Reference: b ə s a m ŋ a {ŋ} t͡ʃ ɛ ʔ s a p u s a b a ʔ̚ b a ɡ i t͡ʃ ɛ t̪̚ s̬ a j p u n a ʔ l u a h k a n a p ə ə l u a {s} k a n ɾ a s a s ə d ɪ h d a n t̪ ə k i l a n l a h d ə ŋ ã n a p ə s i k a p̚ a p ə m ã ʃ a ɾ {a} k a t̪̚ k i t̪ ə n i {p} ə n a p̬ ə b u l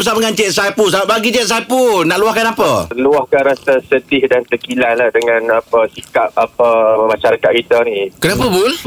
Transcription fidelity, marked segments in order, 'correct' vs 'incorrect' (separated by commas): incorrect, incorrect, correct, incorrect